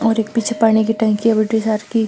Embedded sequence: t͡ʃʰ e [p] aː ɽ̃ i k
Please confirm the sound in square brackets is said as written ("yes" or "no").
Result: yes